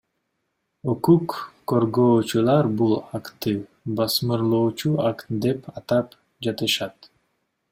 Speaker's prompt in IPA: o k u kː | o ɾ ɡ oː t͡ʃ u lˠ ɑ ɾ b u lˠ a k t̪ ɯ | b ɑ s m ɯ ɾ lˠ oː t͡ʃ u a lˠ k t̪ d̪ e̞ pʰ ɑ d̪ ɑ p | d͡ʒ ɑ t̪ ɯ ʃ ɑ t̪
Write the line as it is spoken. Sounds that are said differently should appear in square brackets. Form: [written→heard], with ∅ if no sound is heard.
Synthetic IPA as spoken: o k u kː | o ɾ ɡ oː t͡ʃ u lˠ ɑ ɾ b u lˠ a k t̪ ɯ | b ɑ s m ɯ ɾ lˠ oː t͡ʃ u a [lˠ→∅] k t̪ d̪ e̞ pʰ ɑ [d̪→t̪] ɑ p | d͡ʒ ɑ t̪ ɯ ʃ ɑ t̪